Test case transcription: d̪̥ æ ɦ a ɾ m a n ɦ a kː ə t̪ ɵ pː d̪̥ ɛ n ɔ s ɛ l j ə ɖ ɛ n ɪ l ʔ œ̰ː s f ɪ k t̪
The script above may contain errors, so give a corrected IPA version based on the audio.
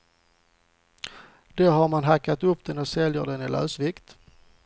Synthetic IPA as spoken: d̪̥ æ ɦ a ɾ m a n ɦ a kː a t̪ ɵ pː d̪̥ ɛ n ɔ s ɛ l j ə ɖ ɛ n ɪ l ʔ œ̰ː s v ɪ k t̪